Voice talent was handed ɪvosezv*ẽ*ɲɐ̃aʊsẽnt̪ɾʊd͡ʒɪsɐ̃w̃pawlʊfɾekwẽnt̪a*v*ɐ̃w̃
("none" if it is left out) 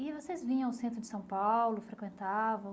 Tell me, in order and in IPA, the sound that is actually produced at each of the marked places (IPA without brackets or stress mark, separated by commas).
ĩ, v